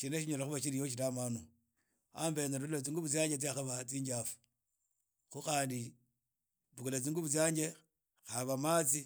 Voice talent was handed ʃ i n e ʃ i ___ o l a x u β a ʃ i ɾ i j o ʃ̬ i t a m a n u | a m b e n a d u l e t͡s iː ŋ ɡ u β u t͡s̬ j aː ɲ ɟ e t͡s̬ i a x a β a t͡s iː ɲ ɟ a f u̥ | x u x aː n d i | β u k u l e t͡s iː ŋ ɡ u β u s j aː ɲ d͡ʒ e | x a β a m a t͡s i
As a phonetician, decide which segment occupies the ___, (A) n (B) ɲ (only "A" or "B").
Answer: B